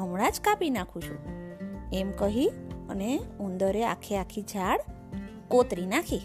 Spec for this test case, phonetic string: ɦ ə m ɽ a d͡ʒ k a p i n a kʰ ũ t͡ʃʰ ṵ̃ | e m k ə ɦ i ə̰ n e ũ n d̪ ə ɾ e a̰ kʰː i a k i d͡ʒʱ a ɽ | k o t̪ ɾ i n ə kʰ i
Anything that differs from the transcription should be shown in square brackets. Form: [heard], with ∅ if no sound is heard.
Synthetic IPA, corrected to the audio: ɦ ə m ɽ a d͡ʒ k a p i n a kʰ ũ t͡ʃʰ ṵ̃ | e m k ə ɦ i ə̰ n e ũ n d̪ ə ɾ e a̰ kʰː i a [kʰ] i d͡ʒʱ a ɽ | k o t̪ ɾ i n [a] kʰ i